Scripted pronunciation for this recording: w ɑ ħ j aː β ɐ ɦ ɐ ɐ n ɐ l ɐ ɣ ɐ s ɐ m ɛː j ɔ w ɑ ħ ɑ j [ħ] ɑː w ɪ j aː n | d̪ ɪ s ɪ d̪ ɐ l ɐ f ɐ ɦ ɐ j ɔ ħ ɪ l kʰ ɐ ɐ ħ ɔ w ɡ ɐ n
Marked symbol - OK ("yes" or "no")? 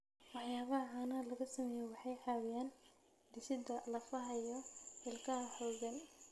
yes